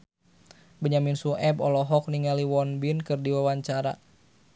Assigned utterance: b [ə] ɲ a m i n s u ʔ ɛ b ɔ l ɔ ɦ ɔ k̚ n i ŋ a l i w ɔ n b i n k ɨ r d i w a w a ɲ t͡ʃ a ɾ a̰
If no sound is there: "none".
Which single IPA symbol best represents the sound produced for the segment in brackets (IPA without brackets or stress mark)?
ə